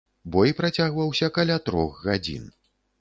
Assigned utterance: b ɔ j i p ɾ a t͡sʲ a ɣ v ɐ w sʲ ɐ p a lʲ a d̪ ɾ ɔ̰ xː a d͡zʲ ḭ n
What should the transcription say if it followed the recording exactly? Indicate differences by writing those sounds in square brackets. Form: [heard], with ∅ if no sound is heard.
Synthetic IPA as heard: b ɔ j i p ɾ a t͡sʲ a ɣ v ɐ w sʲ ɐ [k] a lʲ a [t̪] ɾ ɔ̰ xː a d͡zʲ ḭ n